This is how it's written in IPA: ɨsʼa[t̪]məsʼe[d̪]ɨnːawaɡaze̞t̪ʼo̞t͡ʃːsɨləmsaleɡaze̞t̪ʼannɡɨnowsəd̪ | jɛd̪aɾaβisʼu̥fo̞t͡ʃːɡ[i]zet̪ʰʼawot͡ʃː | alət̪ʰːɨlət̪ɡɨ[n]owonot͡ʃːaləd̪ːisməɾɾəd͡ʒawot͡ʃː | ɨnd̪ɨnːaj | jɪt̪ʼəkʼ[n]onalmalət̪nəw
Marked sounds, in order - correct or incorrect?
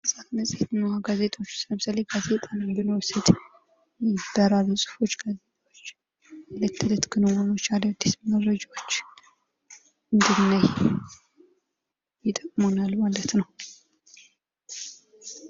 correct, incorrect, incorrect, correct, incorrect

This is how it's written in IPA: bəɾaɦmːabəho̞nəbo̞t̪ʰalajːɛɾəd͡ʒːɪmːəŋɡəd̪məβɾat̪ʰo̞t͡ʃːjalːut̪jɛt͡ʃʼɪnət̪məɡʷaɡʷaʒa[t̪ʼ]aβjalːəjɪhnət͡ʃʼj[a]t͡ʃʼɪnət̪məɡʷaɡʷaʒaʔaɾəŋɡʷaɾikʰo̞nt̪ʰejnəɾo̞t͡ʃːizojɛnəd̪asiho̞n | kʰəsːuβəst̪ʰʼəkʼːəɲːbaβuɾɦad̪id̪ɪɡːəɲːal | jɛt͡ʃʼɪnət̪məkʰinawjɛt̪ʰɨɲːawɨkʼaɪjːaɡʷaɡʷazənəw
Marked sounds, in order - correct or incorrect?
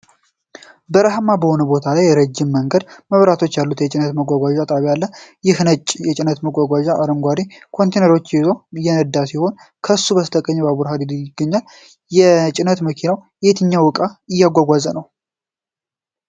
correct, incorrect

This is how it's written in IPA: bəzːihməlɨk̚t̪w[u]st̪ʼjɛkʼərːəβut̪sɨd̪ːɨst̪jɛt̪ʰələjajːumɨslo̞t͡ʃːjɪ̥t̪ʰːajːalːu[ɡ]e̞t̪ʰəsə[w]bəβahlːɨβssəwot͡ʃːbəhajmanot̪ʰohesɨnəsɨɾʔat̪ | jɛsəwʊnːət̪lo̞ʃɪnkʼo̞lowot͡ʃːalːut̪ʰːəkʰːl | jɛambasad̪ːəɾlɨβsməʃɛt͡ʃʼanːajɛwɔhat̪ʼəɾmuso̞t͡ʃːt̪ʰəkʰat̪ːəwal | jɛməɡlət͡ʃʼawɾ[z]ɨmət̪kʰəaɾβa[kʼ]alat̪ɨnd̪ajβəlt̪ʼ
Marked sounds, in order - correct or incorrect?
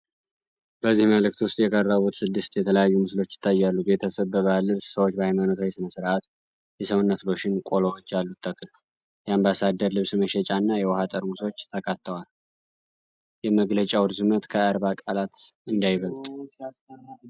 incorrect, incorrect, incorrect, correct, correct

